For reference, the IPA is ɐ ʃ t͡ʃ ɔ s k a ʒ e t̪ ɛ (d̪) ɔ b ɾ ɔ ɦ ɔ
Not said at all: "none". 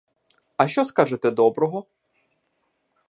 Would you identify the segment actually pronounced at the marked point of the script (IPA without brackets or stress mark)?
d̪